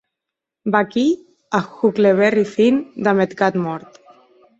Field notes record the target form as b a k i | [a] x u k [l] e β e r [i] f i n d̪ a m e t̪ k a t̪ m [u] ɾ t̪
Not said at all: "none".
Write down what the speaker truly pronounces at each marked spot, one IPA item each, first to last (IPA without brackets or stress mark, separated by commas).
a, l, i, ɔ